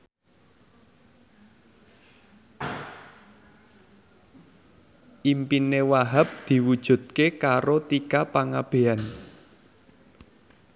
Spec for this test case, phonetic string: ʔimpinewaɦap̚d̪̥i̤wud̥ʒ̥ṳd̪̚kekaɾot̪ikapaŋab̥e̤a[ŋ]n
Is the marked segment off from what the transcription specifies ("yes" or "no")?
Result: yes